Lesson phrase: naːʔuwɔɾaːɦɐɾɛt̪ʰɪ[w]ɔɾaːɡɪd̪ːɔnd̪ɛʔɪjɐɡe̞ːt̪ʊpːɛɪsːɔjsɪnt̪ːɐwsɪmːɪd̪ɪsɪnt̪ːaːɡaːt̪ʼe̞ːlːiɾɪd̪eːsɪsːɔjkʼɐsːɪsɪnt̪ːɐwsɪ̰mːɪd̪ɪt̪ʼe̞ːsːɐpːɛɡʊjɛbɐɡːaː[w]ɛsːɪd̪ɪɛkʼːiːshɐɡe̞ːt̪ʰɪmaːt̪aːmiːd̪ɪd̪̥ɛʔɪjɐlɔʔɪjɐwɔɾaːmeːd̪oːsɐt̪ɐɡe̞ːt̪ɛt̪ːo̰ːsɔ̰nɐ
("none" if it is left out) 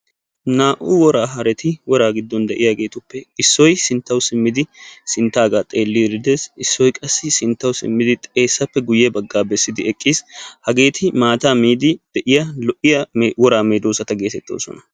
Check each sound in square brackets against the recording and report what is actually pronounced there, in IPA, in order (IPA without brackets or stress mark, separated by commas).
w, b